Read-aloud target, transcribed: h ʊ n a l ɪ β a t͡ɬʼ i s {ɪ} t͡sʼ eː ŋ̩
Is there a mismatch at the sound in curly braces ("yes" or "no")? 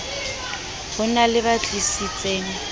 yes